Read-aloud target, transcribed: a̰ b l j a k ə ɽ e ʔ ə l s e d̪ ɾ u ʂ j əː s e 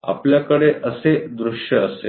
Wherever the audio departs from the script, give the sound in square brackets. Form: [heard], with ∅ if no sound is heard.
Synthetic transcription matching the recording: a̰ [p] l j a k ə ɽ e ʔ ə [∅] s e d̪ ɾ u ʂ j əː s e

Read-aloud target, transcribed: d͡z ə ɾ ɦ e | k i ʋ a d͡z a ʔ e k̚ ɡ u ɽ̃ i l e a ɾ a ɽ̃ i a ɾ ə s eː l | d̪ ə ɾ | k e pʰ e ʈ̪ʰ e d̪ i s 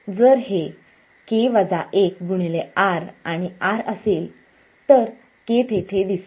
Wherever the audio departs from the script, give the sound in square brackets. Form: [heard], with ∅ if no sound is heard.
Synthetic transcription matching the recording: d͡z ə ɾ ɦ e | k [e] ʋ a d͡z a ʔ e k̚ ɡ u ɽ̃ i l e a ɾ a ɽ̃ i a ɾ ə s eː l | [t̪] ə ɾ | k e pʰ e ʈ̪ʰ e d̪ i s

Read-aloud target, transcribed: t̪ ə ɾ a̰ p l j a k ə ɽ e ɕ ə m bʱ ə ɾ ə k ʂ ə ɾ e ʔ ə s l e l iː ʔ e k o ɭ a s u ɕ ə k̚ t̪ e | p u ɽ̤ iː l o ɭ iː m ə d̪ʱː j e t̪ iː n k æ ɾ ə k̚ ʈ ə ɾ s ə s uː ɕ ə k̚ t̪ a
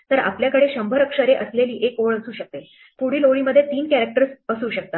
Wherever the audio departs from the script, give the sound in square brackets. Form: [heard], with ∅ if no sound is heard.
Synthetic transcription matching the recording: t̪ ə ɾ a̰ p l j a k ə ɽ e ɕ ə m bʱ ə ɾ ə k ʂ ə ɾ e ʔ ə s l e l iː ʔ e k o ɭ [ə] s [uː] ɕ ə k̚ t̪ e | p u ɽ̤ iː l o ɭ iː m ə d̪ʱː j e t̪ iː n k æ ɾ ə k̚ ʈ ə ɾ s ə s uː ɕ ə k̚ t̪ a

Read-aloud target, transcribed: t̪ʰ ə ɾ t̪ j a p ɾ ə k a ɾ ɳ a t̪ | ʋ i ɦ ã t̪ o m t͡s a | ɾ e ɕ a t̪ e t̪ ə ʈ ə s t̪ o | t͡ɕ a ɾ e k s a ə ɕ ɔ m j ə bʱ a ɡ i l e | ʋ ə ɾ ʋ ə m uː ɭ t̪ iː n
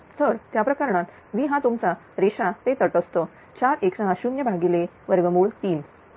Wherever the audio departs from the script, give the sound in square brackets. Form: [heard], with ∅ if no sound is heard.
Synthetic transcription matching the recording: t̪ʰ ə ɾ t̪ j a p ɾ ə k a ɾ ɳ a t̪ | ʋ i ɦ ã t̪ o m t͡s a | ɾ e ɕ a t̪ e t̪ ə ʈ ə s t̪ o | t͡ɕ a ɾ e k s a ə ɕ [u] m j ə bʱ a ɡ i l e | ʋ ə ɾ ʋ ə m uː ɭ t̪ iː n

